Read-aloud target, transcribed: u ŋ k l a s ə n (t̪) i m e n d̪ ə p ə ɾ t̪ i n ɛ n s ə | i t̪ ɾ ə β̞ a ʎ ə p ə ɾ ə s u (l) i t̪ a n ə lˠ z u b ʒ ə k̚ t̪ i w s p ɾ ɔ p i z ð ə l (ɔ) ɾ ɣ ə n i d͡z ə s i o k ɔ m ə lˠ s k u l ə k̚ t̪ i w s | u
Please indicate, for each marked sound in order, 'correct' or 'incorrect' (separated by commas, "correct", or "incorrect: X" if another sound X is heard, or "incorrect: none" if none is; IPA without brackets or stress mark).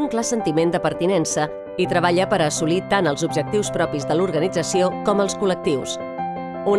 correct, correct, incorrect: u